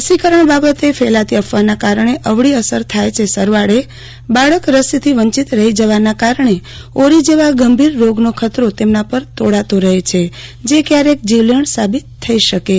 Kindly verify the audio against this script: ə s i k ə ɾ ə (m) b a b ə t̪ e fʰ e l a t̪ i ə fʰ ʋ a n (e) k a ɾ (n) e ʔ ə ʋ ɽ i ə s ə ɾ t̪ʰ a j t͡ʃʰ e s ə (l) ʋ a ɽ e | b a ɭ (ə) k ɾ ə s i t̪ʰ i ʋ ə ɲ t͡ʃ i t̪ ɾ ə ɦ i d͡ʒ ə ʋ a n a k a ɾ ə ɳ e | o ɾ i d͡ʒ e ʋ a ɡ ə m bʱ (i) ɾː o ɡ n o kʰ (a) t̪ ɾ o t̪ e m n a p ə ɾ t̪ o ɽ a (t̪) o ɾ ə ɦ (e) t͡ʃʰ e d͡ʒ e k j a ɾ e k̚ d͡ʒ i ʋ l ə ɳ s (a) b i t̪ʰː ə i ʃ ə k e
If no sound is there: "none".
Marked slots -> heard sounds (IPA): ɳ, a, ɳ, ɾ, ə, i, ə, t̪, e, a

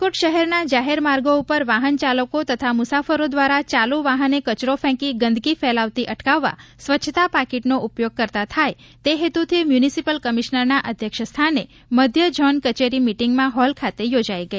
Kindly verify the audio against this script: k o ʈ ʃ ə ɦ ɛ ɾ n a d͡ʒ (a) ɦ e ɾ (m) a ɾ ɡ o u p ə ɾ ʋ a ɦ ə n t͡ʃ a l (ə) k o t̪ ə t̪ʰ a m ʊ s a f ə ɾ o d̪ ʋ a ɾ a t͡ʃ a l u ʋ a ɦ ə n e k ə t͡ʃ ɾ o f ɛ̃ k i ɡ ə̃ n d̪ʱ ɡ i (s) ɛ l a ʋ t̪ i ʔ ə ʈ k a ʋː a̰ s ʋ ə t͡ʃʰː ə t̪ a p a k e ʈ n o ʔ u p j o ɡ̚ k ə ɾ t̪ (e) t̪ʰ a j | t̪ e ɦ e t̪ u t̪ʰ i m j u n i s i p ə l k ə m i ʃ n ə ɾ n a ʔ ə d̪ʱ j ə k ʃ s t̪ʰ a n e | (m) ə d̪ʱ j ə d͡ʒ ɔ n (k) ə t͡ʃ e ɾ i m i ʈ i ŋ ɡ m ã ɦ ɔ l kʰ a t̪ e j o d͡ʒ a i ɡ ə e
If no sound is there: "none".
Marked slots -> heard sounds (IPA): a, m, ə, f, a, m, k

